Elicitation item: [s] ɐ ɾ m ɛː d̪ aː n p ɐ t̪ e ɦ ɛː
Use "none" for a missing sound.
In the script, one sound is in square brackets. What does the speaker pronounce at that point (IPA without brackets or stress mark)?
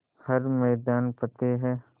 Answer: h